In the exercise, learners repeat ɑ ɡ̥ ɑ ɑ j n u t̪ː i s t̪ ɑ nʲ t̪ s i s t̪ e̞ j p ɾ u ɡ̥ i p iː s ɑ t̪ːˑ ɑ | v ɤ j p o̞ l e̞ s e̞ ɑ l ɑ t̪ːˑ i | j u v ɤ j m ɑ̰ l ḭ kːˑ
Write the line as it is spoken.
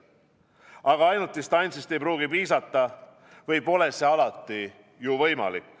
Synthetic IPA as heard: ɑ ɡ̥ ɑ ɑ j n u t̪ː i s t̪ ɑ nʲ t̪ s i s t̪ e̞ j p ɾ uː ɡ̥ i p iː s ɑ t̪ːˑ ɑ | v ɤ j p o̞ l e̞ s e̞ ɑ l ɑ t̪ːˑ i | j u v ɤ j m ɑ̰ l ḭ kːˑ